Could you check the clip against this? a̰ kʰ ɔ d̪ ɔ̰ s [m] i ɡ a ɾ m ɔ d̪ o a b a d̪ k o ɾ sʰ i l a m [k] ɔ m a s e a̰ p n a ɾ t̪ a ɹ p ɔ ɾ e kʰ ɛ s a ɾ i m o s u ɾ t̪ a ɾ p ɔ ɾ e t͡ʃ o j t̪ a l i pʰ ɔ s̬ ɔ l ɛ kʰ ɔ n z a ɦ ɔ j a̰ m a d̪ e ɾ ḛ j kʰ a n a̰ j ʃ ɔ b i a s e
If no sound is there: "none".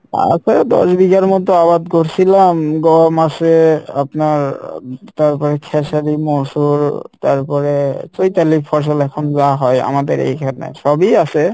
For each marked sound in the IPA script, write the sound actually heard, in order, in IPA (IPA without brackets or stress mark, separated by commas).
b, ɡ